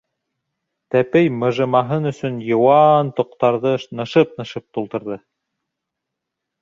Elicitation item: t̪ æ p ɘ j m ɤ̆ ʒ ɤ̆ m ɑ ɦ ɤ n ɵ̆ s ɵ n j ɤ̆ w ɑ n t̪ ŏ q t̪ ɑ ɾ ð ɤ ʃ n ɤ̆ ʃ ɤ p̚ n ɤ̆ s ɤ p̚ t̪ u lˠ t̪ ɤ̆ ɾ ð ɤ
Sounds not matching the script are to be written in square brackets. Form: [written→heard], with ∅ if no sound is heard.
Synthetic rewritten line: t̪ æ p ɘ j m ɤ̆ ʒ ɤ̆ m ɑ ɦ ɤ n ɵ̆ s ɵ n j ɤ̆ w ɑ n t̪ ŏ q t̪ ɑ ɾ ð ɤ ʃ n ɤ̆ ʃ ɤ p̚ n ɤ̆ [s→ʃ] ɤ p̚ t̪ u lˠ t̪ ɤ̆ ɾ ð ɤ